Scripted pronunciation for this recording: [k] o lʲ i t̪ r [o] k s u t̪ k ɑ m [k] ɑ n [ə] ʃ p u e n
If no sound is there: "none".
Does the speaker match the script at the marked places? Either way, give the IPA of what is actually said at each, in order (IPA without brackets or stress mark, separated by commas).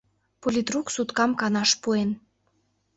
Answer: p, u, k, ɑ